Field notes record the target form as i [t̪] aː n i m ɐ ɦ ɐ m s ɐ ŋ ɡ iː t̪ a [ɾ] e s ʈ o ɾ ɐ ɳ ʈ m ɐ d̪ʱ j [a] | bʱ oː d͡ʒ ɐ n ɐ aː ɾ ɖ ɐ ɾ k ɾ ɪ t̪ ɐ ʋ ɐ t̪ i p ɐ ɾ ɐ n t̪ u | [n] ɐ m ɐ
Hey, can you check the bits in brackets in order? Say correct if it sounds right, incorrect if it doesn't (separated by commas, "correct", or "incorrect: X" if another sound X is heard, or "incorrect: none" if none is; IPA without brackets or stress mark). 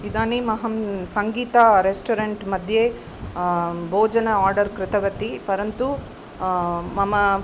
incorrect: d̪, correct, incorrect: e, incorrect: m